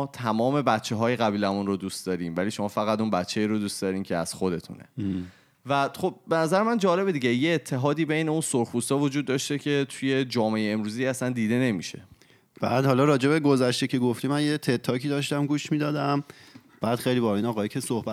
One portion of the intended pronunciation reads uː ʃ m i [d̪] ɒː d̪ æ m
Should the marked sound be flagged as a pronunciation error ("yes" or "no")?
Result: no